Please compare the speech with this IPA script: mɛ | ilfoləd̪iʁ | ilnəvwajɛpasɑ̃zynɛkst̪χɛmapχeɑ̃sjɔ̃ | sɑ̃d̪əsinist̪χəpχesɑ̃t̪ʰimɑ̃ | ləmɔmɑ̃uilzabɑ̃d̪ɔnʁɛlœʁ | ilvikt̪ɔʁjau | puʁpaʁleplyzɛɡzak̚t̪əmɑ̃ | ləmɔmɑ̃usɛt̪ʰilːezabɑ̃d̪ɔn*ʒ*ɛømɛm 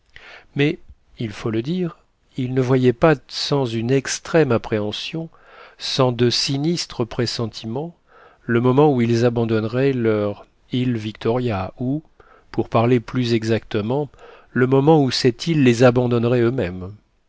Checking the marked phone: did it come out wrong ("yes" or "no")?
yes